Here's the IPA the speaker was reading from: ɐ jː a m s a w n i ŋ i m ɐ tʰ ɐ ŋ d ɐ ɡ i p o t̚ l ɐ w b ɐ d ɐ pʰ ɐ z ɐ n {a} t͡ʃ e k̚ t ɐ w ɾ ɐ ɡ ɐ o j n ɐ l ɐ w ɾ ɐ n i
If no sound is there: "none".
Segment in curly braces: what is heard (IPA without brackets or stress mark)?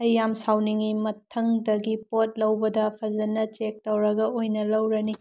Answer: ɐ